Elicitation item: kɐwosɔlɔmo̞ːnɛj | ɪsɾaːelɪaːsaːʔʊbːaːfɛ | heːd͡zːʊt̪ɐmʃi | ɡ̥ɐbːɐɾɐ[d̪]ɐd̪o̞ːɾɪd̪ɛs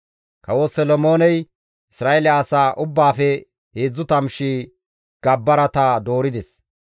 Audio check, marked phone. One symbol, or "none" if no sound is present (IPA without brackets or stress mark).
t̪